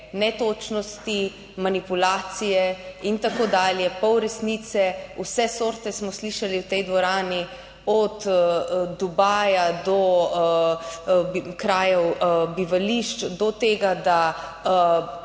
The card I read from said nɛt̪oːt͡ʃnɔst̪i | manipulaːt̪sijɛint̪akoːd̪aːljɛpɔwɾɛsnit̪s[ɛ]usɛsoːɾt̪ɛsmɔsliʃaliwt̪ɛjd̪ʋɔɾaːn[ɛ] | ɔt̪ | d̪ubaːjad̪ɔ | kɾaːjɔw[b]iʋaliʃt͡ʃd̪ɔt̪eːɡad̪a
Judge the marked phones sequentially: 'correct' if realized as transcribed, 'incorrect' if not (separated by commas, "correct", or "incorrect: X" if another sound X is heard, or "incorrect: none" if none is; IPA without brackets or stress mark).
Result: correct, incorrect: i, correct